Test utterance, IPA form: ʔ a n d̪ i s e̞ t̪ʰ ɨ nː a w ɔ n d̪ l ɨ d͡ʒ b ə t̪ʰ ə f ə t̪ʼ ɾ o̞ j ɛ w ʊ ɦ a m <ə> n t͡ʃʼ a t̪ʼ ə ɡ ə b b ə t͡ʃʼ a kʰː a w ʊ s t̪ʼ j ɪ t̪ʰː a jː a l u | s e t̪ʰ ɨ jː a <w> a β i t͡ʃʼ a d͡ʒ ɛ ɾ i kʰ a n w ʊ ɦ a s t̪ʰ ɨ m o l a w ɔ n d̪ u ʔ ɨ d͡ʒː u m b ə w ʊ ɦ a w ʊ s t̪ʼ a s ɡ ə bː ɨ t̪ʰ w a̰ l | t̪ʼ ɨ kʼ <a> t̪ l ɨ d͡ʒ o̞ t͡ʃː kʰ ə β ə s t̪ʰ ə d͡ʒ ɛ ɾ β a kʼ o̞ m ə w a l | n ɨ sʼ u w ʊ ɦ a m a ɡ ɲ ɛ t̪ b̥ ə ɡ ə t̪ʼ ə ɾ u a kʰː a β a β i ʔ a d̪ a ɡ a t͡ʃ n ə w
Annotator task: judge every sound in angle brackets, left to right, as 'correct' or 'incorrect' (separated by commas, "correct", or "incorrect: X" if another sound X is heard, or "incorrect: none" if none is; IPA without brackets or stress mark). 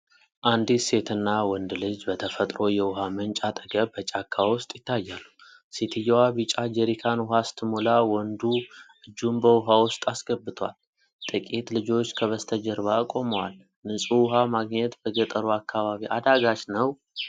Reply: correct, correct, incorrect: i